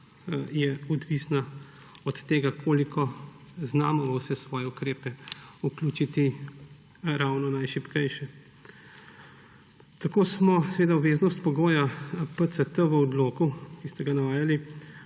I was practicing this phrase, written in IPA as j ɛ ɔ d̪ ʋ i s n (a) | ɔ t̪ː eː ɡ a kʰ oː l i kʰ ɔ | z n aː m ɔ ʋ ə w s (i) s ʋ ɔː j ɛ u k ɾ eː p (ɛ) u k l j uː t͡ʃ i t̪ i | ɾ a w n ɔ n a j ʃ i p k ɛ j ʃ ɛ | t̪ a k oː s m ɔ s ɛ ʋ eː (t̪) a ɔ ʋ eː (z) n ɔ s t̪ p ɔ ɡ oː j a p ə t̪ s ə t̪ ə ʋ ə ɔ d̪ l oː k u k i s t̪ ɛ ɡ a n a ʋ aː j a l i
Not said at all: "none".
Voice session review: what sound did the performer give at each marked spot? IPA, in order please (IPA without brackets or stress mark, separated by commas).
a, ɛ, ɛ, d̪, z